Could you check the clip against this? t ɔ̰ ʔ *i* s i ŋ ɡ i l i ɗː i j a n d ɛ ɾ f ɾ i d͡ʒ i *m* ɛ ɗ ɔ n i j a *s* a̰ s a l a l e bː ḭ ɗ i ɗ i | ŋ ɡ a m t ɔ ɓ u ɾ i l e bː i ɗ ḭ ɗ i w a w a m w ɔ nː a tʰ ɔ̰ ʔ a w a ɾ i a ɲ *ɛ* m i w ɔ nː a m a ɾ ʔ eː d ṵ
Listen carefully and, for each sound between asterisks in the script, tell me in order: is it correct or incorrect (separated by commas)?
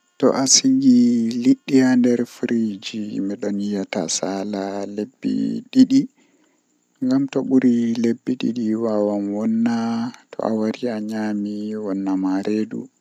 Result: incorrect, correct, incorrect, incorrect